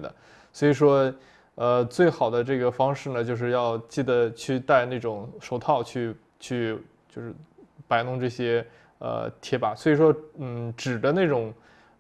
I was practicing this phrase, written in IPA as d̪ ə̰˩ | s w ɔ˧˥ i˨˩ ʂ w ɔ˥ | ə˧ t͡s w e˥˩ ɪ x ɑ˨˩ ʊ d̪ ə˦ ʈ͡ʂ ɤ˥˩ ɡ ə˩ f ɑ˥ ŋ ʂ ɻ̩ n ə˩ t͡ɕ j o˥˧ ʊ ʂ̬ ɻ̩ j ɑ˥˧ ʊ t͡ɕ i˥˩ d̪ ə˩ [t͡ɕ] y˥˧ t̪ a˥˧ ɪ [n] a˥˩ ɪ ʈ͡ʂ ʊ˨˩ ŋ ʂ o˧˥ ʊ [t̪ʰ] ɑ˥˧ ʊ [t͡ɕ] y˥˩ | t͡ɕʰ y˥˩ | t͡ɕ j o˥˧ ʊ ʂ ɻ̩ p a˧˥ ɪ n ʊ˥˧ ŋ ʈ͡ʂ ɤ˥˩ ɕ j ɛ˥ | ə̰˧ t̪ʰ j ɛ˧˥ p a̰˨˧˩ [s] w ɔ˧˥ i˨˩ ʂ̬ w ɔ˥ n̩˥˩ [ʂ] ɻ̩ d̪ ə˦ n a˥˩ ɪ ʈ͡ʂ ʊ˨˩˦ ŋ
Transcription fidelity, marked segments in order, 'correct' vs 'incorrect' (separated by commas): incorrect, correct, correct, incorrect, correct, incorrect